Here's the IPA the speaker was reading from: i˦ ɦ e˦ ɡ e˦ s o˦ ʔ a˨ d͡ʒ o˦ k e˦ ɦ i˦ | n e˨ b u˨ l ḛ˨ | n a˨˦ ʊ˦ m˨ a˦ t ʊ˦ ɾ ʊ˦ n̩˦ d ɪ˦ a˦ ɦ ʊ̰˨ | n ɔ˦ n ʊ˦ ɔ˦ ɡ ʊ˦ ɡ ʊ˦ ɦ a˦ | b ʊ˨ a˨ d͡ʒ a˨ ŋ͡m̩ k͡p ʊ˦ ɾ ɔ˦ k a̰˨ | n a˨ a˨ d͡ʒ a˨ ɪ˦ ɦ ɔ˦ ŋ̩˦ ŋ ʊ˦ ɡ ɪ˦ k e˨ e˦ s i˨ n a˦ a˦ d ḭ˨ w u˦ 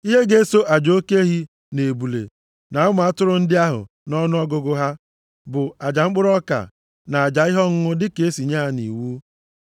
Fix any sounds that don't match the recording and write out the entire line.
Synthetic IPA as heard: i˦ ɦ e˦ ɡ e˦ s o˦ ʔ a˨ d͡ʒ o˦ k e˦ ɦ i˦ | n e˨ b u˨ l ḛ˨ | n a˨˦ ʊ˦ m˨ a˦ t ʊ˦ ɾ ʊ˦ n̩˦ d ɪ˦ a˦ ɦ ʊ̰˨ | n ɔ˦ n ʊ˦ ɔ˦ ɡ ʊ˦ ɡ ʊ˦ ɦ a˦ | b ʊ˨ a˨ d͡ʒ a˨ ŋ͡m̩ k͡p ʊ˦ ɾ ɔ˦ k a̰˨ | n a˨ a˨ d͡ʒ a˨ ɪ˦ ɦ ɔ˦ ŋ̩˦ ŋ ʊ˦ d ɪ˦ k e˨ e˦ s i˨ ɲ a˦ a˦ n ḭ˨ w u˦

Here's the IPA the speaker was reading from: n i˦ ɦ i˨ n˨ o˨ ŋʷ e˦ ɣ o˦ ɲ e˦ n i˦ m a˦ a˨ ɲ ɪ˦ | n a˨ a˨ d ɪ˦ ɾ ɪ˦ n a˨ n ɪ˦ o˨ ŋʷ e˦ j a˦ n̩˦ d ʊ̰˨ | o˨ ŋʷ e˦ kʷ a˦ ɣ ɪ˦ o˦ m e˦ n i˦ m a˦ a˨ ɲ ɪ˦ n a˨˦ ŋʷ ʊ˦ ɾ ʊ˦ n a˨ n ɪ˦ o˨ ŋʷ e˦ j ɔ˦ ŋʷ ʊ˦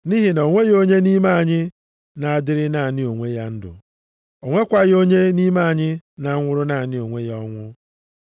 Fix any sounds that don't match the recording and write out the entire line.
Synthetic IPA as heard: n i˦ ɦ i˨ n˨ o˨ ŋʷ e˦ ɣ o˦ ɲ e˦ n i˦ m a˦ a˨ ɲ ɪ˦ | n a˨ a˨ d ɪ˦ ɾ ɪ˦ n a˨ n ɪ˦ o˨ ŋʷ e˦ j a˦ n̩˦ d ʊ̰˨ | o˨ ŋʷ e˦ kʷ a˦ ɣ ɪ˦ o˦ ɲ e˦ n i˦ m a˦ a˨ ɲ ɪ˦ n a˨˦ ŋʷ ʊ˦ ɾ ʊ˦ n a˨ n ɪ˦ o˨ ŋʷ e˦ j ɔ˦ ŋʷ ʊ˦

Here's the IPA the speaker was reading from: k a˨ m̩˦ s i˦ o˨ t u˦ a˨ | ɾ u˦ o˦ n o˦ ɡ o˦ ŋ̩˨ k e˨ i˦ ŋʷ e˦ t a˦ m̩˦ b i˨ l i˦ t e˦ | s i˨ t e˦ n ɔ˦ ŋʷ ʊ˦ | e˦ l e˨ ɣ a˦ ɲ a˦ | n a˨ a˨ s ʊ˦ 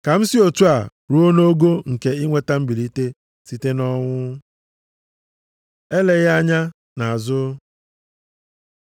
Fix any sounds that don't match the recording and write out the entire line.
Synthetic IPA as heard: k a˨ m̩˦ s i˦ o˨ t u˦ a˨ | ɾ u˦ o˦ n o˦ ɡ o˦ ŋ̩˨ k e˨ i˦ ŋʷ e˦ t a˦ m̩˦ b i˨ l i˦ t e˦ | s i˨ t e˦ n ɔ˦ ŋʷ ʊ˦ | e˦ l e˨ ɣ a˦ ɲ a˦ | n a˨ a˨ z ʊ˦

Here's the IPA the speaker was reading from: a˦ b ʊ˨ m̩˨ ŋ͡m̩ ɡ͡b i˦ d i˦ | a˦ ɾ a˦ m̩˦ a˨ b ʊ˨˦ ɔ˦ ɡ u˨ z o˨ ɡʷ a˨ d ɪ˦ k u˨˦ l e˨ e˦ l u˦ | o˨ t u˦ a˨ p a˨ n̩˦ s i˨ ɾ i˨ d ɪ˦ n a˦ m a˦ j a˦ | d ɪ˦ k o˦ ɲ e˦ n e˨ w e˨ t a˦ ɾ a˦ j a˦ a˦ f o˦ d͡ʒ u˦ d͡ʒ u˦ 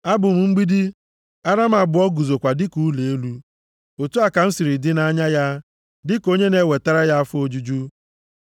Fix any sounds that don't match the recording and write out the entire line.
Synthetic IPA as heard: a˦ b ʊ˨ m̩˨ ŋ͡m̩ ɡ͡b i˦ d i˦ | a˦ ɾ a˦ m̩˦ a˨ b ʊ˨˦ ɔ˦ ɡ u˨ z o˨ kʷ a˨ d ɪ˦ k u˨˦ l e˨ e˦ l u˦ | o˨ t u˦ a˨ k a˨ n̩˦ s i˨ ɾ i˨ d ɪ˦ n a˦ ɲ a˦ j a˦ | d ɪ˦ k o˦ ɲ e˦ n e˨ w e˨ t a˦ ɾ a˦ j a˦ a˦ f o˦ d͡ʒ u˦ d͡ʒ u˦

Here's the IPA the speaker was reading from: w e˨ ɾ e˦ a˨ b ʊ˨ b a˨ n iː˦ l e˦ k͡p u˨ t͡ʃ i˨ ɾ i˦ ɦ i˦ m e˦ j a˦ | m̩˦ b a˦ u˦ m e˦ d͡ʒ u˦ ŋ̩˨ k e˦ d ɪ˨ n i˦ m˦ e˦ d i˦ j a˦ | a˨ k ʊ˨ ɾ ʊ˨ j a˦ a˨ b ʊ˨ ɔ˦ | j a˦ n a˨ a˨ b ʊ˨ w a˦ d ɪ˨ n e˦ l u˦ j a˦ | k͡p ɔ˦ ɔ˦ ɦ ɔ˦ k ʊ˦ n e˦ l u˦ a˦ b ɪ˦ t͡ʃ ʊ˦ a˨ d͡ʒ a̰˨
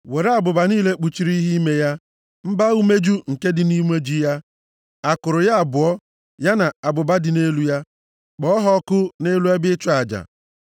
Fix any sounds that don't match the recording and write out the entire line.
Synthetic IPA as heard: w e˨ ɾ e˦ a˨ b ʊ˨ b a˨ n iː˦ l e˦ k͡p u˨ t͡ʃ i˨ ɾ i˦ ɦ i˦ m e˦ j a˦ | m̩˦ b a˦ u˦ m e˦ d͡ʒ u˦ ŋ̩˨ k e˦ d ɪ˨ n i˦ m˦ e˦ d͡ʒ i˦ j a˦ | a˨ k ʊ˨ ɾ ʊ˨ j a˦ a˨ b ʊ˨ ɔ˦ | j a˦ n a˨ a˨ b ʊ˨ b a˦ d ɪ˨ n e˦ l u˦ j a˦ | k͡p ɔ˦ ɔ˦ ɦ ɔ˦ k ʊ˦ n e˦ l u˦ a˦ b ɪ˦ t͡ʃ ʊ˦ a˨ d͡ʒ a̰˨

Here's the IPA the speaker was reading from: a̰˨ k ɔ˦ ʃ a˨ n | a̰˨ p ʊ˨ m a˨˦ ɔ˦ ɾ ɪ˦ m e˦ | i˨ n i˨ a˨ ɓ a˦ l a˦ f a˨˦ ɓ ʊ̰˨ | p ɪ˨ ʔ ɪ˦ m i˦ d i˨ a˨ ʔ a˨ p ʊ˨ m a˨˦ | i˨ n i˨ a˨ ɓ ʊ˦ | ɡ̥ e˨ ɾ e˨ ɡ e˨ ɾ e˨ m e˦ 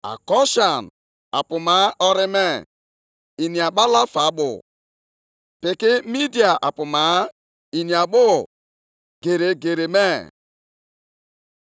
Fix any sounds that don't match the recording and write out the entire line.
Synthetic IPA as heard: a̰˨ k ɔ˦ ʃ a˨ n | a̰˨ p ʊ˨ m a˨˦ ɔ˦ ɾ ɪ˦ m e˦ | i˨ n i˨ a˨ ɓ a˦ l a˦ f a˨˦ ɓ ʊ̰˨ | p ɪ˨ k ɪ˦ m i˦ d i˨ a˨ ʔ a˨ p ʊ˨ m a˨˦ | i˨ n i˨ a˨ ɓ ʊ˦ | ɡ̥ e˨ ɾ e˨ ɡ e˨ ɾ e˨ m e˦

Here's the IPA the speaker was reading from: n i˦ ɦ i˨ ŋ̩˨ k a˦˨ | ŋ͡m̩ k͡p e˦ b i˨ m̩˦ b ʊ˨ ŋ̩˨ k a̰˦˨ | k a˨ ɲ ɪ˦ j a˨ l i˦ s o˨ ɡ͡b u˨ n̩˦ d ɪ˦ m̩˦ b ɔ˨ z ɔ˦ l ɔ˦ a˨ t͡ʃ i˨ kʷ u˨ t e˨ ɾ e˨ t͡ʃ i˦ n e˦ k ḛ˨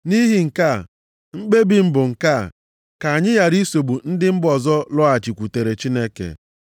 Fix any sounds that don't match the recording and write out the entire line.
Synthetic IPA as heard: n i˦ ɦ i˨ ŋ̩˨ k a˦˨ | ŋ͡m̩ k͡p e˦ b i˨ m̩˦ b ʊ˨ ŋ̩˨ k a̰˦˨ | k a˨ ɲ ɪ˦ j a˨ ɾ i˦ s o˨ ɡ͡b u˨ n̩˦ d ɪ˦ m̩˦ b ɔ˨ z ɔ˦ l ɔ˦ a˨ t͡ʃ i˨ kʷ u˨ t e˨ ɾ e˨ t͡ʃ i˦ n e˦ k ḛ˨

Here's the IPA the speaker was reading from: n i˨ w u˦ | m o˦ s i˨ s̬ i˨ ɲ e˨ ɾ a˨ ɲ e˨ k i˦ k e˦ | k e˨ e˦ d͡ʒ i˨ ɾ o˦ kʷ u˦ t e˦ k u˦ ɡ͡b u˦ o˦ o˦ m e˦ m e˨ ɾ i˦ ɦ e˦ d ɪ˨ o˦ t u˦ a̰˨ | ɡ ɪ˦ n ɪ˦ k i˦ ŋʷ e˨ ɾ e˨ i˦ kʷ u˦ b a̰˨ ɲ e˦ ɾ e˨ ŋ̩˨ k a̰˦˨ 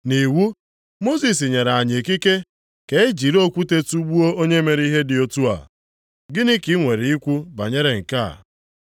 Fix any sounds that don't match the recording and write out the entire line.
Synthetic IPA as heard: n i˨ w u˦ | m o˦ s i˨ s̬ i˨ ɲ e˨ ɾ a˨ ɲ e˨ k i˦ k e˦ | k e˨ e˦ d͡ʒ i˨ ɾ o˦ kʷ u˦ t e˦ t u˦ ɡ͡b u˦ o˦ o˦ ɲ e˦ m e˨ ɾ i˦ ɦ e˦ d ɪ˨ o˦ t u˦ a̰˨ | ɡ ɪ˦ n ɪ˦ k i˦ ŋʷ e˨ ɾ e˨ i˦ kʷ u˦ b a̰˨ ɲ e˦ ɾ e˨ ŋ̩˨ k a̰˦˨

